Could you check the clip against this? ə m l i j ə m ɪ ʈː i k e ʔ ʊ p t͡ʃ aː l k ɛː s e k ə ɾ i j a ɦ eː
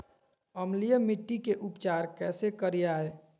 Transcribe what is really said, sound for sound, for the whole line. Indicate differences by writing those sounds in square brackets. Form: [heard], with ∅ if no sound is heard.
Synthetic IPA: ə m l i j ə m ɪ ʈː i k e ʔ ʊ p t͡ʃ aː [ɾ] k ɛː s e k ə ɾ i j a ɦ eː